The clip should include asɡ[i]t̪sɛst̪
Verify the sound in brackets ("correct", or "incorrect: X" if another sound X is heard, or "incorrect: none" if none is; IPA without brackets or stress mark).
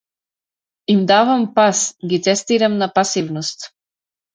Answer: correct